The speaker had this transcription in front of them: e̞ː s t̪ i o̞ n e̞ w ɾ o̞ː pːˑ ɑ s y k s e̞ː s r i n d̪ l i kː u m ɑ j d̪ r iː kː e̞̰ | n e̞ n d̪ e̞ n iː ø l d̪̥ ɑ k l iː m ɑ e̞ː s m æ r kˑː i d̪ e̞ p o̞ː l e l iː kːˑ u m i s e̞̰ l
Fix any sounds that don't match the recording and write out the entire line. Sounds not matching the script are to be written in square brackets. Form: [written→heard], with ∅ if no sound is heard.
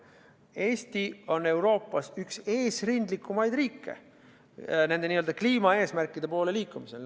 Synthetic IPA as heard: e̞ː s t̪ i o̞ n e̞ w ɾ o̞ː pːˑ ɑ s y k s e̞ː s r i n d̪ l i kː u m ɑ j d̪ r iː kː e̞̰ | n e̞ n d̪ e̞ n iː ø l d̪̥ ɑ k l iː m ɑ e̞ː s m æ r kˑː i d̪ e̞ p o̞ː l e l iː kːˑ u m i s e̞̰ l